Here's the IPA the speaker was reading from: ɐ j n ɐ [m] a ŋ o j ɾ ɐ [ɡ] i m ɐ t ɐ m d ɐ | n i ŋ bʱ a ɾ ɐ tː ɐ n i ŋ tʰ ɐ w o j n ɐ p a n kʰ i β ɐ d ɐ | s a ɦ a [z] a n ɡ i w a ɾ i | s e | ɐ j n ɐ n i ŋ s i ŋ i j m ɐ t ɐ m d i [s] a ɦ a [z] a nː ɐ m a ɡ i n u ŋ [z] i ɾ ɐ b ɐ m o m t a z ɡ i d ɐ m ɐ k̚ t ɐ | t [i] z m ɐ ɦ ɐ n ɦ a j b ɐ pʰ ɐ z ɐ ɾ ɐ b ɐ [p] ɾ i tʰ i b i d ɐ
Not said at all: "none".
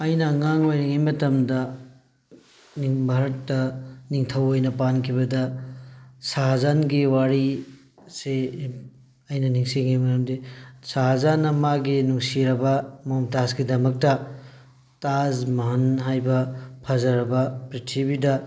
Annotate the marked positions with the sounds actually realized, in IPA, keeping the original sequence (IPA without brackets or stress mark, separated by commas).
ŋ, ŋ, z, s, z, s, a, p